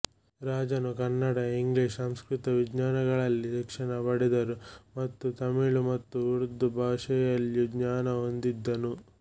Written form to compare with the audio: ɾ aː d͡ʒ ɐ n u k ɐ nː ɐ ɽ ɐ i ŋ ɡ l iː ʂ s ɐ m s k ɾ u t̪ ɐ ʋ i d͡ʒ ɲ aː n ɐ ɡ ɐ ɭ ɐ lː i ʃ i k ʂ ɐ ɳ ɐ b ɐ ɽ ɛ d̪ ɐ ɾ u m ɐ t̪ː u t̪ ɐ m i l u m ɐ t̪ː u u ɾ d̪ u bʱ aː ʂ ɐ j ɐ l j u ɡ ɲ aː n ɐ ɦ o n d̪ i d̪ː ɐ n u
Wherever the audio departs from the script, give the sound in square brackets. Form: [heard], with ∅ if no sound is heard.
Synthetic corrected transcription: ɾ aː d͡ʒ ɐ n u k ɐ nː ɐ ɽ ɐ i ŋ ɡ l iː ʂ s ɐ m s k ɾ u t̪ ɐ ʋ i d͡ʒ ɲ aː n ɐ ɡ ɐ ɭ ɐ lː i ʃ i k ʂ ɐ ɳ ɐ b ɐ ɽ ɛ d̪ ɐ ɾ u m ɐ t̪ː u t̪ ɐ m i [ɭ] u m ɐ t̪ː u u ɾ d̪ u bʱ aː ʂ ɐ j ɐ l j u ɡ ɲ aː n ɐ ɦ o n d̪ i d̪ː ɐ n u

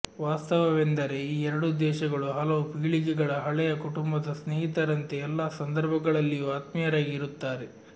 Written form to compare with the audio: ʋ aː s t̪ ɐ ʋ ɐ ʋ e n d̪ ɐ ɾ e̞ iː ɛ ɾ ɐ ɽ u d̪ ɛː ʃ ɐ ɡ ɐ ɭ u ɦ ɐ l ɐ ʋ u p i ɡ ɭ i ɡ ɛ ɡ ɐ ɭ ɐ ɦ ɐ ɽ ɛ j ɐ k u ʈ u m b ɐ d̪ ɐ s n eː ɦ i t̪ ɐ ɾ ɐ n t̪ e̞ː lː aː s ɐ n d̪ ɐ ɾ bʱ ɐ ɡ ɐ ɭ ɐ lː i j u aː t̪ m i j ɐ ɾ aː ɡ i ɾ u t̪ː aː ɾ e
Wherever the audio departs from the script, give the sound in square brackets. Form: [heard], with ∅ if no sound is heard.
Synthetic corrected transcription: ʋ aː s t̪ ɐ ʋ ɐ ʋ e n d̪ ɐ ɾ e̞ iː ɛ ɾ ɐ ɽ u d̪ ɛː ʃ ɐ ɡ ɐ ɭ u ɦ ɐ l ɐ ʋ u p i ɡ ɭ i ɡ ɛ ɡ ɐ ɭ ɐ ɦ ɐ [ɭ] ɛ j ɐ k u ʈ u m b ɐ d̪ ɐ s n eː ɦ i t̪ ɐ ɾ ɐ n t̪ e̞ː lː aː s ɐ n d̪ ɐ ɾ bʱ ɐ ɡ ɐ ɭ ɐ lː i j u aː t̪ m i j ɐ ɾ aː ɡ i ɾ u t̪ː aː ɾ e

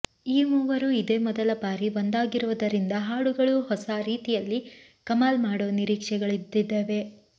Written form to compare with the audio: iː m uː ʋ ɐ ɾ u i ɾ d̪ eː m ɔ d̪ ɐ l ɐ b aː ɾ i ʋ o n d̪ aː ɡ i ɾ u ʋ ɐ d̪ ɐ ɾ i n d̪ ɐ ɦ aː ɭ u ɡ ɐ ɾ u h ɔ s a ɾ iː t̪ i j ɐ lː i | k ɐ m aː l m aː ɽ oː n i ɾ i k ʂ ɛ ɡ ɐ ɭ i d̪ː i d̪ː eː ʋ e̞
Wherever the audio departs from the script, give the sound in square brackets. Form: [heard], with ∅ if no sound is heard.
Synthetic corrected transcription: iː m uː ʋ ɐ ɾ u i [∅] d̪ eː m ɔ d̪ ɐ l ɐ b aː ɾ i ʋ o n d̪ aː ɡ i ɾ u ʋ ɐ d̪ ɐ ɾ i n d̪ ɐ ɦ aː [ɽ] u ɡ ɐ [ɭ] u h ɔ s a ɾ iː t̪ i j ɐ lː i | k ɐ m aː l m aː ɽ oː n i ɾ [iː] k ʂ ɛ ɡ ɐ ɭ i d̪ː i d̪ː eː ʋ e̞

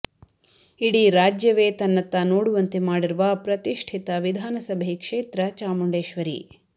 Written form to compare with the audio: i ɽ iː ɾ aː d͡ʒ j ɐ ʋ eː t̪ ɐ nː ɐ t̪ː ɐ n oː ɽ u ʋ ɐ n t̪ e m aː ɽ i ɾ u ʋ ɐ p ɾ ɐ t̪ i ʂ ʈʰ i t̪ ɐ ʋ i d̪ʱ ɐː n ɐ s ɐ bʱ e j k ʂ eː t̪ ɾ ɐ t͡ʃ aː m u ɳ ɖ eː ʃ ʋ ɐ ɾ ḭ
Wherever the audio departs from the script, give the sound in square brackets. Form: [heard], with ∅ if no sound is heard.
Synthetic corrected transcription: i ɽ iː ɾ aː d͡ʒ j ɐ ʋ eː t̪ ɐ nː ɐ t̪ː ɐ n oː ɽ u ʋ ɐ n t̪ e m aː ɽ i ɾ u ʋ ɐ p ɾ ɐ t̪ i ʂ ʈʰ i t̪ ɐ ʋ i d̪ʱ [aː] n ɐ s ɐ bʱ e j k ʂ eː t̪ ɾ ɐ t͡ʃ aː m u ɳ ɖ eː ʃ ʋ ɐ ɾ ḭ

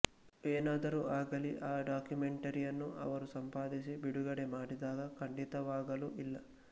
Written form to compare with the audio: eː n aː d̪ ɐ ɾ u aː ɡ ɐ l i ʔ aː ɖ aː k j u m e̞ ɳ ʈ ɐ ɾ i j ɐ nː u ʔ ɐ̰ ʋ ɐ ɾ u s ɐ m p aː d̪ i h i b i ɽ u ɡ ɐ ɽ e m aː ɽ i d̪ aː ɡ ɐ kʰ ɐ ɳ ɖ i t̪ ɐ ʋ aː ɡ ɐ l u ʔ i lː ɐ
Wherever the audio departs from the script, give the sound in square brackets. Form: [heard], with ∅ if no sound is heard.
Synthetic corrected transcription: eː n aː d̪ ɐ ɾ u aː ɡ ɐ l i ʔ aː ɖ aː k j u m e̞ ɳ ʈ ɐ ɾ i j ɐ nː u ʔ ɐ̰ ʋ ɐ ɾ u s ɐ m p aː d̪ i [s] i b i ɽ u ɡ ɐ ɽ e m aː ɽ i d̪ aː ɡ ɐ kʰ ɐ ɳ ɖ i t̪ ɐ ʋ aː ɡ ɐ l u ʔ i lː ɐ

